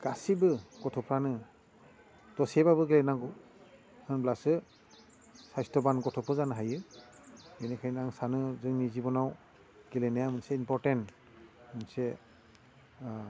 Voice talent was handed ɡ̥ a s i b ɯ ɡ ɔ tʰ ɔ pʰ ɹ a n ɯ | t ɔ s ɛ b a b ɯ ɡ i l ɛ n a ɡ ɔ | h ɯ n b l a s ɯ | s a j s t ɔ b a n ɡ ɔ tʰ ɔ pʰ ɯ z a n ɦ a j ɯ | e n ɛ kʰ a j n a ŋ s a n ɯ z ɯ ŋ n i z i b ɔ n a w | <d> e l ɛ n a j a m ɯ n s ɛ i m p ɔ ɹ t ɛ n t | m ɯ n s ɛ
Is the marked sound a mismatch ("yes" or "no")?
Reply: yes